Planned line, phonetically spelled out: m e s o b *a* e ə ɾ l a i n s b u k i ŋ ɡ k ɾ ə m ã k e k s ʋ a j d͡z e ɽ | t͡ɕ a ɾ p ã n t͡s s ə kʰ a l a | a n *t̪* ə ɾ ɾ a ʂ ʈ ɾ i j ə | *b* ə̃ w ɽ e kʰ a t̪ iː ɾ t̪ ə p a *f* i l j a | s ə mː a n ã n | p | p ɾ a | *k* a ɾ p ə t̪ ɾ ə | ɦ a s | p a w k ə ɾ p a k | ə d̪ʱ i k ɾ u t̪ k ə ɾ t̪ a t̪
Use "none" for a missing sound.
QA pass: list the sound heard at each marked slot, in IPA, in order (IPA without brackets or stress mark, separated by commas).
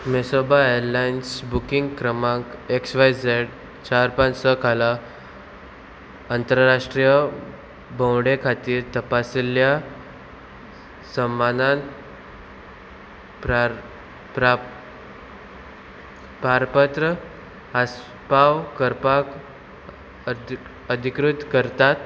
a, t̪, b, s, p